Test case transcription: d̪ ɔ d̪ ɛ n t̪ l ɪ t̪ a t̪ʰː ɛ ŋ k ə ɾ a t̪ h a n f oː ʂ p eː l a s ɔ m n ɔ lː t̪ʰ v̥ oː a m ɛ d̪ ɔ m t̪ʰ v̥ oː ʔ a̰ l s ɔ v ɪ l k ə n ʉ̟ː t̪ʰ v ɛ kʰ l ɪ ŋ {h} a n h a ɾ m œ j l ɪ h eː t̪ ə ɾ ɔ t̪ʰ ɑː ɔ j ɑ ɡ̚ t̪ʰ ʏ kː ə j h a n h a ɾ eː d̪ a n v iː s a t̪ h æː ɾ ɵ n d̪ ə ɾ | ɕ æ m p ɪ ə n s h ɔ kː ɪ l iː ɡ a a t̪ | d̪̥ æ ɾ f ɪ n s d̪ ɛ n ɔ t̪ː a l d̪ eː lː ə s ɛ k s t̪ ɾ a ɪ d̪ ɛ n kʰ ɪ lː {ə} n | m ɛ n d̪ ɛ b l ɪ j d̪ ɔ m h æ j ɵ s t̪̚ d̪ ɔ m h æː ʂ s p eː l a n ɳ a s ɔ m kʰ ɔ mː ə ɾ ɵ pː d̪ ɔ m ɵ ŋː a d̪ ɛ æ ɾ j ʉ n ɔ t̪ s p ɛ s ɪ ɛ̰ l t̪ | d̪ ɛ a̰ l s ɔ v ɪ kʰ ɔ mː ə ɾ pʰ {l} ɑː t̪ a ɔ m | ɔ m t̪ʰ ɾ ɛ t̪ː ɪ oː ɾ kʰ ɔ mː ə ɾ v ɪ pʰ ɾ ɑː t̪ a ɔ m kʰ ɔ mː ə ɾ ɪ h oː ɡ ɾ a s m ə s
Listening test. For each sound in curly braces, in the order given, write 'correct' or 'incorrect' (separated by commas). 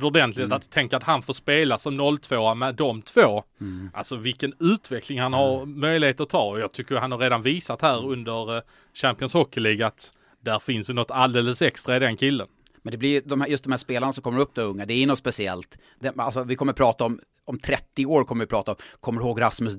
correct, correct, incorrect